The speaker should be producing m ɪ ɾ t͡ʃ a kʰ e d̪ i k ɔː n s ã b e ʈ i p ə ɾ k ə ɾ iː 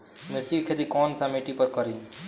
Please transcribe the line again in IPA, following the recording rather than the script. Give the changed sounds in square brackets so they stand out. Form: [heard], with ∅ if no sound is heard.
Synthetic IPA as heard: m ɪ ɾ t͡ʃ [i] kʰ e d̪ i k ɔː n s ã [m] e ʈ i p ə ɾ k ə ɾ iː